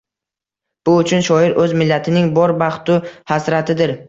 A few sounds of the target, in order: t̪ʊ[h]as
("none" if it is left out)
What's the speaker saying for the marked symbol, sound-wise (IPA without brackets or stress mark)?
h